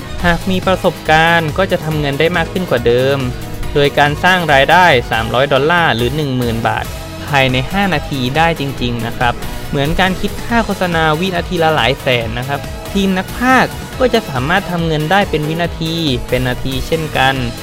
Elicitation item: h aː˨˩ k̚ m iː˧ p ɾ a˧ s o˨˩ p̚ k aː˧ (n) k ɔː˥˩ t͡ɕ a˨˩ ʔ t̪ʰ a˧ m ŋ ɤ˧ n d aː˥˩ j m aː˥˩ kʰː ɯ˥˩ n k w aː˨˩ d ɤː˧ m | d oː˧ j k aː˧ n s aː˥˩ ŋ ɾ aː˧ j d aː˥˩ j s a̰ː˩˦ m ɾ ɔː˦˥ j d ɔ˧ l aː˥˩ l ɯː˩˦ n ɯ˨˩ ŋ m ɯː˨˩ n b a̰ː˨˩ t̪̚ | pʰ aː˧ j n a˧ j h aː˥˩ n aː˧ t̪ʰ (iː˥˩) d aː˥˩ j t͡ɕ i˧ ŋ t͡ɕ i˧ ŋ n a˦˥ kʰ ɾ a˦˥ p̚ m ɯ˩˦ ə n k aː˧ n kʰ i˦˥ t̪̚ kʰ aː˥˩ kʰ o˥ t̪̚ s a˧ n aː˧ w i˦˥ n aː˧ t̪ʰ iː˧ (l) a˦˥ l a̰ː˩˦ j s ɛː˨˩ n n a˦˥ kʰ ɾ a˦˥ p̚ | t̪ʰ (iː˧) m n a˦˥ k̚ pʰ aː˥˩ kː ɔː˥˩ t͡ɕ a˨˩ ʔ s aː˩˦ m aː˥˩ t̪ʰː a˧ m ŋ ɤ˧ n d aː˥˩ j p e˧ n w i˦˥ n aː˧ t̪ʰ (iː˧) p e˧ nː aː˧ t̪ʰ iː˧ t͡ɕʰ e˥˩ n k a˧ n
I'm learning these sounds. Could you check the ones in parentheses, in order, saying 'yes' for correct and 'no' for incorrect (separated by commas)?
yes, no, yes, yes, yes